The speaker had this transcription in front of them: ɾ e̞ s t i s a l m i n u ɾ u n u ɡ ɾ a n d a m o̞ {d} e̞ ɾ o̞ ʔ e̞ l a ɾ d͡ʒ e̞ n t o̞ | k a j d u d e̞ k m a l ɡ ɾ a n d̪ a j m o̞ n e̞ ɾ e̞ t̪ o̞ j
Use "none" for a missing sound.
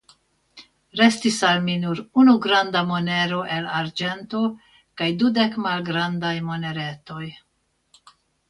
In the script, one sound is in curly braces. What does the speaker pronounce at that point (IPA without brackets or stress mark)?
n